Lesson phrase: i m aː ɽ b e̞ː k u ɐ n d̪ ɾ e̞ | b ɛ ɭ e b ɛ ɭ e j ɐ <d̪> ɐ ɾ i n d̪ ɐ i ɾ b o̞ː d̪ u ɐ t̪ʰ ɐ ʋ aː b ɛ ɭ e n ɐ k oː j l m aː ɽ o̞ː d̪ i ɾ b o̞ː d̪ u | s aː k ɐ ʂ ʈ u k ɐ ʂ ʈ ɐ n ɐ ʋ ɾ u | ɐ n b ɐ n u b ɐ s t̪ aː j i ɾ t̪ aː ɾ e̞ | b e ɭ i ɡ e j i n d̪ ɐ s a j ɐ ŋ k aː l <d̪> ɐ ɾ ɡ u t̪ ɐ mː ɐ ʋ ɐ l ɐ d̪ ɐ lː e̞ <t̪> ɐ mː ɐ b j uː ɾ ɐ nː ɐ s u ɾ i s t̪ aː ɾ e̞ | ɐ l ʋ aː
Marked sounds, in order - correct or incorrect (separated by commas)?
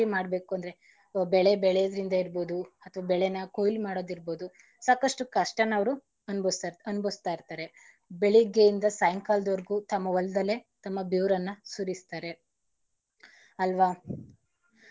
correct, correct, correct